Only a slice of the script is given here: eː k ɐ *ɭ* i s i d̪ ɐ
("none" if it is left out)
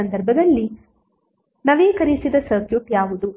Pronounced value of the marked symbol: ɾ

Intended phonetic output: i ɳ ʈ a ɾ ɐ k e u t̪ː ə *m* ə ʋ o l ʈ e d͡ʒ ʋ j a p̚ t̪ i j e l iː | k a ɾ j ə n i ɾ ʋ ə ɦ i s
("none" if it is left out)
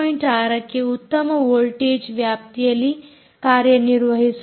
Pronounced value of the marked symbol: m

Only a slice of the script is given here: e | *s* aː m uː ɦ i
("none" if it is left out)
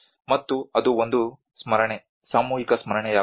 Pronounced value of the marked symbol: s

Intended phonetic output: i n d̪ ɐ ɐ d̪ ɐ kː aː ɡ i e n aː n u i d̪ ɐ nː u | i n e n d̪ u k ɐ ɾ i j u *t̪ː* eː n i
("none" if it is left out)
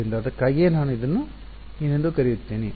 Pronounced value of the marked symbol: t̪ː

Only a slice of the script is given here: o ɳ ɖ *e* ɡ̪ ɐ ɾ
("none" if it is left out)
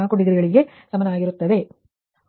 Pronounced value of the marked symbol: i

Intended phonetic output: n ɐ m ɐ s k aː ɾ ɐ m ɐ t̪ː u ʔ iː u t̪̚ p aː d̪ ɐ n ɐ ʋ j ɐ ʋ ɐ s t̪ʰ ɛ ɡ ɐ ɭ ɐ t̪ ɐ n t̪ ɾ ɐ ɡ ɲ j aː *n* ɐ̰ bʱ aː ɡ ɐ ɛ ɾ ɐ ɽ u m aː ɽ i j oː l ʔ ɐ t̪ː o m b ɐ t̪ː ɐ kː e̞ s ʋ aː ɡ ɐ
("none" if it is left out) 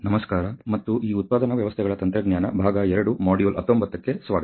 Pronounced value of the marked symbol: n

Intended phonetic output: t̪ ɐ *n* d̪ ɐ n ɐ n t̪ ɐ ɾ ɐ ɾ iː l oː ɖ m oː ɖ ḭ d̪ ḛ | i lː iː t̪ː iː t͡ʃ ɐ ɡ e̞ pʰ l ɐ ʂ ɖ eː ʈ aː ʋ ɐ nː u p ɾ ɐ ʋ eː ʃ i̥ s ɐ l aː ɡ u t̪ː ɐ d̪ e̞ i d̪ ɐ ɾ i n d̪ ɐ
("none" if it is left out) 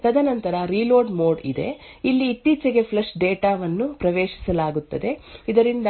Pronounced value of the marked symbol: none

